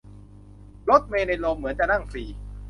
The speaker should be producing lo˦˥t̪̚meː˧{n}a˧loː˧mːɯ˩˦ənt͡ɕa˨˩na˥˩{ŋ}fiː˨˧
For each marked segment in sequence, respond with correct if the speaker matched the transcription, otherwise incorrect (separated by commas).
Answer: correct, correct